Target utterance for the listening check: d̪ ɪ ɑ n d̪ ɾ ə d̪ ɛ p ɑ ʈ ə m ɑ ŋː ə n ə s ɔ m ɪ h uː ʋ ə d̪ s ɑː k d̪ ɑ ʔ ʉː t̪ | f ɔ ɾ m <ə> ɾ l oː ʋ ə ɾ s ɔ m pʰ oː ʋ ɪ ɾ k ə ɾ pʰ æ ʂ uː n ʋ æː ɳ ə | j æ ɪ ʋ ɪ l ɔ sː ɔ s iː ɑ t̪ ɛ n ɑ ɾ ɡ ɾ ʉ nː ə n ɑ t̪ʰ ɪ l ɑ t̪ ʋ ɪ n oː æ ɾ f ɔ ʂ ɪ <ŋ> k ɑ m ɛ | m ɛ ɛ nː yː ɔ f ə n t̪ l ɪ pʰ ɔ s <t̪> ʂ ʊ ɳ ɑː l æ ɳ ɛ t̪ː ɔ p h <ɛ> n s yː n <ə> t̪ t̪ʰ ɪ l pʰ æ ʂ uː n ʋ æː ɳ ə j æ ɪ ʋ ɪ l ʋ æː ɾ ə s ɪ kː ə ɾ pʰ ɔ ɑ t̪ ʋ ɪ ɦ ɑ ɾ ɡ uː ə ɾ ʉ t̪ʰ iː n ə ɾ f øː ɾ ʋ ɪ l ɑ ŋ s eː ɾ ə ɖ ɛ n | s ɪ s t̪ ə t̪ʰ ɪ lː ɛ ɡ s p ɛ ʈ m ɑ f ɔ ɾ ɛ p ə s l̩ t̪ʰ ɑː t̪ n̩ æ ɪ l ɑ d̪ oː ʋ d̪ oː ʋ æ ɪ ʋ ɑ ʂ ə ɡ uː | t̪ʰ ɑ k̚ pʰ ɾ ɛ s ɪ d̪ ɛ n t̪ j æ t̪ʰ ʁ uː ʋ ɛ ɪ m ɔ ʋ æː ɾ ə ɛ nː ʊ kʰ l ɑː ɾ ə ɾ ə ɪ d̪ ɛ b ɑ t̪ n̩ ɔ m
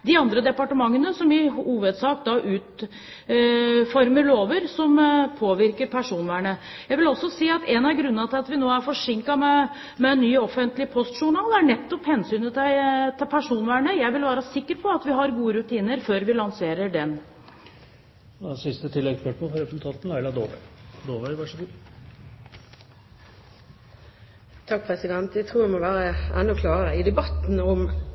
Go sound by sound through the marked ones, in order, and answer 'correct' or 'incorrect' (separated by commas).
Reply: correct, correct, correct, correct, correct